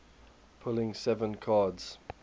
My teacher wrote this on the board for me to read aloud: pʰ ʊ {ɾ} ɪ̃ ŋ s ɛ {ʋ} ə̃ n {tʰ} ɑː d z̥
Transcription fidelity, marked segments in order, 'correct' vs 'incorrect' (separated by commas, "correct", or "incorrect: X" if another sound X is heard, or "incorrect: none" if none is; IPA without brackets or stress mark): incorrect: l, incorrect: v, incorrect: kʰ